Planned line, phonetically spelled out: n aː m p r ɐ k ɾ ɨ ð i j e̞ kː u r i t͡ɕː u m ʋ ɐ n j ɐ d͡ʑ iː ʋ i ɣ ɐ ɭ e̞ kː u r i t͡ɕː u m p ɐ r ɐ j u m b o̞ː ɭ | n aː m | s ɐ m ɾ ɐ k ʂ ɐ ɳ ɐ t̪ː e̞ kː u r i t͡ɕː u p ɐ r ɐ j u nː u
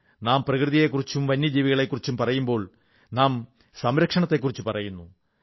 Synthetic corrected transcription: n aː m p r ɐ k r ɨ ð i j e̞ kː u r i t͡ɕː u m ʋ ɐ n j ɐ d͡ʑ iː ʋ i ɣ ɐ ɭ e̞ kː u r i t͡ɕː u m p ɐ r ɐ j u m b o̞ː ɭ | n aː m | s ɐ m ɾ ɐ k ʂ ɐ ɳ ɐ t̪ː e̞ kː u r i t͡ɕː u p ɐ r ɐ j u nː u